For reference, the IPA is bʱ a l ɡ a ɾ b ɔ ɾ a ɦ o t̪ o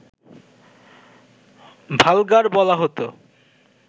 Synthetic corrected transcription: bʱ a l ɡ a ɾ b ɔ l a ɦ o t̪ o